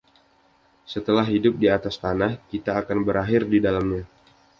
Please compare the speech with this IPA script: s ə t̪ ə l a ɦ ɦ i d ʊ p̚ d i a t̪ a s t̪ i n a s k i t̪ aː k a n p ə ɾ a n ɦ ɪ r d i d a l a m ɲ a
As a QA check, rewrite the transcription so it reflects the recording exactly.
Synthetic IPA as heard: s ə t̪ ə l a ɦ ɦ i d ʊ p̚ d i a t̪ a s t̪ a n a h k i t̪ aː k a n b ə ɾ a ɦ ɪ r d i d a l a m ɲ a